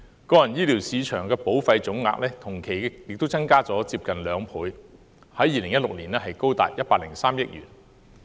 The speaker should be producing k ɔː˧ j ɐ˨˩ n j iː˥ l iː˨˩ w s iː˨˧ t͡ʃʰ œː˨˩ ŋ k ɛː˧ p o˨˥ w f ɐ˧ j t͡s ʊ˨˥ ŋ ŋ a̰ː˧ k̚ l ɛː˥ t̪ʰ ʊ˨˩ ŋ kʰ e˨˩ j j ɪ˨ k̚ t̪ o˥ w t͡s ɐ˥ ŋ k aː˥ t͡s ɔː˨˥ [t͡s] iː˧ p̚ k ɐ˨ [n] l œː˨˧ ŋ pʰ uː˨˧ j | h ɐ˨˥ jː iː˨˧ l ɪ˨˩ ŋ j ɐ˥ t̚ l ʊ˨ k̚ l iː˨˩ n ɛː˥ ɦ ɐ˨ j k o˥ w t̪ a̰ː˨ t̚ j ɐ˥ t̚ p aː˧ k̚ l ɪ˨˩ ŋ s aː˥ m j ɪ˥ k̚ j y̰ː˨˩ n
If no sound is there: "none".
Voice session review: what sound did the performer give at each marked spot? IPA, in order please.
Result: t͡s, n

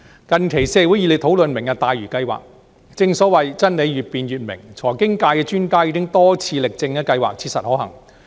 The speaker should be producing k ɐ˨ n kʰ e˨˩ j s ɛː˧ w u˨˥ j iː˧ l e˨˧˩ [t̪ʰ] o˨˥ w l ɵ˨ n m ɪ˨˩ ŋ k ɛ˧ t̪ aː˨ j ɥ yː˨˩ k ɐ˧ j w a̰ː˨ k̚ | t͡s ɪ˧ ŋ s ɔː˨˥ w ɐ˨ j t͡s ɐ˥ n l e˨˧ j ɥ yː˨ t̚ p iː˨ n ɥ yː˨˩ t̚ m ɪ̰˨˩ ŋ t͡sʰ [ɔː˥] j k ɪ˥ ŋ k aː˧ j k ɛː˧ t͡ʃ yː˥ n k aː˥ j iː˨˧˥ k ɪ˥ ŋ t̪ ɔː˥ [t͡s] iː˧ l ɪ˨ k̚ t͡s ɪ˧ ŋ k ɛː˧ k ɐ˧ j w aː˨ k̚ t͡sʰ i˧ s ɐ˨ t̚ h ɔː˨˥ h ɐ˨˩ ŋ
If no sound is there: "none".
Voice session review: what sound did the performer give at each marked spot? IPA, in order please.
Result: t̪ʰ, ɔː˨˩, t͡sʰ

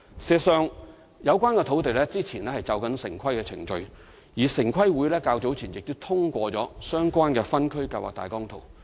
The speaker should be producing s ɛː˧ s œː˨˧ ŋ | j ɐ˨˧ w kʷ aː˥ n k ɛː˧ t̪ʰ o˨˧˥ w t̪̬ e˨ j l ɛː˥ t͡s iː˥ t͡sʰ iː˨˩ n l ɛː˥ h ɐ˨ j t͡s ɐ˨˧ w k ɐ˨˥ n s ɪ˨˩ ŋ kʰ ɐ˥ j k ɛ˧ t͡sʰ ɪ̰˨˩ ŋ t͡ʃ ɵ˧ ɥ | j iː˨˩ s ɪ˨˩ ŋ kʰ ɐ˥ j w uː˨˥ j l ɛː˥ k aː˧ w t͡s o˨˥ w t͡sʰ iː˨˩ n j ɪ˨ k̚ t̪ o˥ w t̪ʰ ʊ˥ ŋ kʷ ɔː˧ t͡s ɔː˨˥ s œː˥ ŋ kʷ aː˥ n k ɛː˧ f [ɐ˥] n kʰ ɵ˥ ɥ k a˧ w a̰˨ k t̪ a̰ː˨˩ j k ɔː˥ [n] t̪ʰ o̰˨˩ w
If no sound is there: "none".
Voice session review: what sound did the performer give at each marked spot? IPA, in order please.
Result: ɐ˥, ŋ

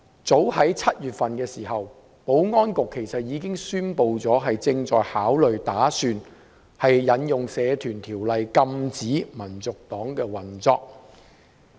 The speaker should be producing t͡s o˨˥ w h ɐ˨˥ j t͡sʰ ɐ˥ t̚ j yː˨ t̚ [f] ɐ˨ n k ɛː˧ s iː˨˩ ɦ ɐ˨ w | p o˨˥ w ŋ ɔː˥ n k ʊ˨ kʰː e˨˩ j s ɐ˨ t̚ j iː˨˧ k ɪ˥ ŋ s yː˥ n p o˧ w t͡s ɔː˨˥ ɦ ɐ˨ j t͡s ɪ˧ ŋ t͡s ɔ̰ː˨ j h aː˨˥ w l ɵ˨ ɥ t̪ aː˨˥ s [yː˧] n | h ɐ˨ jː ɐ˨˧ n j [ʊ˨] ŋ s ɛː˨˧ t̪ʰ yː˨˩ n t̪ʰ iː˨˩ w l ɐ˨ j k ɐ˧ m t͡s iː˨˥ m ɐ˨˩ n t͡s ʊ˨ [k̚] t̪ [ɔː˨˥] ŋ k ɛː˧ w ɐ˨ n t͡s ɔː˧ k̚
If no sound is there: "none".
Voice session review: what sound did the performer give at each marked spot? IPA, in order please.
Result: f, yː˧, ʊ˨, k̚, ɔː˨˥

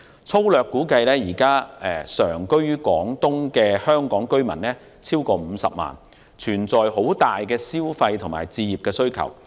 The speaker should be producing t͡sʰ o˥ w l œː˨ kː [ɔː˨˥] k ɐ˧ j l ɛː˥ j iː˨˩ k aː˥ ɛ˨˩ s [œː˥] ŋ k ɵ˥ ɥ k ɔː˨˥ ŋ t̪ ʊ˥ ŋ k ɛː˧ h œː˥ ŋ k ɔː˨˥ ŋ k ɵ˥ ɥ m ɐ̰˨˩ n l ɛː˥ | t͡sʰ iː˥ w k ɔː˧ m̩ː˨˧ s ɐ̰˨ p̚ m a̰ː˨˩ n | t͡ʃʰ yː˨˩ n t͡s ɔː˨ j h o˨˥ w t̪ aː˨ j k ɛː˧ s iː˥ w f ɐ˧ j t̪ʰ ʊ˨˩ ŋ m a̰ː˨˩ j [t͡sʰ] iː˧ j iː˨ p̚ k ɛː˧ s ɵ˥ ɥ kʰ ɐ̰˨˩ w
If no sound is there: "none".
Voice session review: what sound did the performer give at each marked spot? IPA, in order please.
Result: uː˨˥, œː˨˩, t͡s

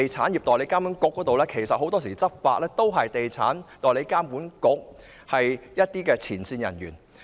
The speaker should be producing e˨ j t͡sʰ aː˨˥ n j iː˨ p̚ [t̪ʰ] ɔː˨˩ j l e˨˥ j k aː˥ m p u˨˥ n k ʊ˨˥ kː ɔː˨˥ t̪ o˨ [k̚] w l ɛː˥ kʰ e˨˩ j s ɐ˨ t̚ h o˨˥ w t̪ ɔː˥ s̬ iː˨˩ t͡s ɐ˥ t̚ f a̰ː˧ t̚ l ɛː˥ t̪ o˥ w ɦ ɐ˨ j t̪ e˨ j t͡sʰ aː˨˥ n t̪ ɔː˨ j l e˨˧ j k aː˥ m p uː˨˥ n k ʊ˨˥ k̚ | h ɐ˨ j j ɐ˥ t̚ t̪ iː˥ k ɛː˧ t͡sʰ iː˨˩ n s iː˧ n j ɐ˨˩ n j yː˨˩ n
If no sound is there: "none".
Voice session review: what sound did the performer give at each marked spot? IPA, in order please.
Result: t̪, none

